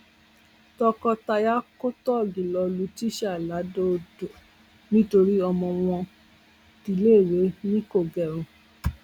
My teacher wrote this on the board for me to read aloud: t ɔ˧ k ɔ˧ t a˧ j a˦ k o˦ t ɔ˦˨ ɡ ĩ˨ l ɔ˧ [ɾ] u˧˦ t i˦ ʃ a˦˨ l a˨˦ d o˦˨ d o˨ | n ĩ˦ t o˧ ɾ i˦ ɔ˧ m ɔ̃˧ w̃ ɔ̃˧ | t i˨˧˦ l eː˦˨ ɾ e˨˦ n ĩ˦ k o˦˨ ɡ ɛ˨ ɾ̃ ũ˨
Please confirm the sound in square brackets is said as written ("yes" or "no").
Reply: no